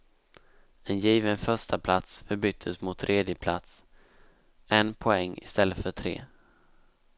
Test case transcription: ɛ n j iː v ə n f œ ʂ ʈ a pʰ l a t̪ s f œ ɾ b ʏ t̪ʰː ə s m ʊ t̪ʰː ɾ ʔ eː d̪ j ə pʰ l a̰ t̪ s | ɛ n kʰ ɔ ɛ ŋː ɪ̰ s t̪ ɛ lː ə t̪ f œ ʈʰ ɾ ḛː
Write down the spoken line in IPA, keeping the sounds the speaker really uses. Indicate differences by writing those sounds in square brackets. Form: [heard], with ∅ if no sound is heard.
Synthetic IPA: ɛ n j iː v ə n f œ ʂ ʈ a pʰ l a t̪ s f œ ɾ b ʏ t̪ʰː ə s m ʊ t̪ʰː ɾ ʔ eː d̪ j ə pʰ l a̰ t̪ s | ɛ n [pʰ] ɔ ɛ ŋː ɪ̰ s t̪ ɛ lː ə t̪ f œ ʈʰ ɾ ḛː